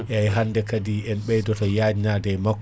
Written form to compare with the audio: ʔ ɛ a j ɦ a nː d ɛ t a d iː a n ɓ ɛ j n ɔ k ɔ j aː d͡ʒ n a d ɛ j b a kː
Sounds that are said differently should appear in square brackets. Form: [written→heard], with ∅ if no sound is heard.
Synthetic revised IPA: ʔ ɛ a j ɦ a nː d ɛ [t→k] a d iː [a→ɛ] n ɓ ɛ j [n→d] ɔ [k→t] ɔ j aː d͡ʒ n a d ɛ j [b→m] a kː